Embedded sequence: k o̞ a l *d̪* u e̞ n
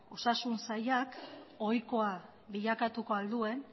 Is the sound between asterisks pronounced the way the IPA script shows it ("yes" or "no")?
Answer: yes